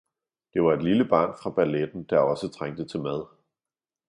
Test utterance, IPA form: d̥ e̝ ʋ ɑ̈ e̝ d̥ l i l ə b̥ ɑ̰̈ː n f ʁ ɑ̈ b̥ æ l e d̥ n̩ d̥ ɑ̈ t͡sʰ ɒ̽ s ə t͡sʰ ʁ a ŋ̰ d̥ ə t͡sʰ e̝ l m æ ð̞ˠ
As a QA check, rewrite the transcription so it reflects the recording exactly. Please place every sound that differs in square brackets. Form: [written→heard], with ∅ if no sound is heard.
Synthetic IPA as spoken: d̥ e̝ ʋ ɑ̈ e̝ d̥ l i l ə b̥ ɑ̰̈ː n f ʁ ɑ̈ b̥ æ l e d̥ n̩ d̥ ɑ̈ [t͡sʰ→∅] ɒ̽ s ə t͡sʰ ʁ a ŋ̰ d̥ ə t͡sʰ e̝ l m æ ð̞ˠ